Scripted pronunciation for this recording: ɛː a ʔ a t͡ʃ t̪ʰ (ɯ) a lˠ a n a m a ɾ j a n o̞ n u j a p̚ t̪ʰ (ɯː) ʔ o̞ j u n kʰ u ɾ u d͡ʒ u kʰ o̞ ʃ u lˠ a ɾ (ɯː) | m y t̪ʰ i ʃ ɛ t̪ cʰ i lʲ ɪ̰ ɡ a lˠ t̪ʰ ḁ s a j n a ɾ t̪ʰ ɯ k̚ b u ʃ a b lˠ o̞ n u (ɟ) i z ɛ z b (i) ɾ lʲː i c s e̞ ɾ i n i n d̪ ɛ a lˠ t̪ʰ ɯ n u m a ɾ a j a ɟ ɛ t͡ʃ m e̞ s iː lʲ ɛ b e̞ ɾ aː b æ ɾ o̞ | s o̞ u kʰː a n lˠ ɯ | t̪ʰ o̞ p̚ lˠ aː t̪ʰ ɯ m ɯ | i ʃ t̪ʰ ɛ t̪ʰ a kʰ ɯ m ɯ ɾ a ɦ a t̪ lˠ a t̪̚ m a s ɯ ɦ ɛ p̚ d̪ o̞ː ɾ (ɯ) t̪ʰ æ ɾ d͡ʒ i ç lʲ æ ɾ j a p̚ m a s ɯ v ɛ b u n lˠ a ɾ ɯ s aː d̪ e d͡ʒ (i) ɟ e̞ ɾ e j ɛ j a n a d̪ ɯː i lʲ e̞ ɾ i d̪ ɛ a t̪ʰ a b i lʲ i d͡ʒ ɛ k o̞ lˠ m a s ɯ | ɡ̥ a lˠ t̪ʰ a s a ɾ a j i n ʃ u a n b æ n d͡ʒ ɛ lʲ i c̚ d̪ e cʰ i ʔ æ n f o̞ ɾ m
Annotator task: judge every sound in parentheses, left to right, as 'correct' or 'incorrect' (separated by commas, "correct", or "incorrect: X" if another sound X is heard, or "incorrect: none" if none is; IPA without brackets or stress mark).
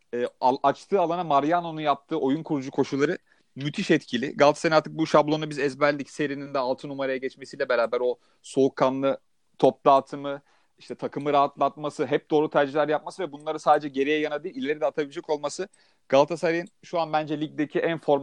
incorrect: ɯː, correct, incorrect: ɯ, incorrect: b, incorrect: æ, incorrect: u, incorrect: ɛ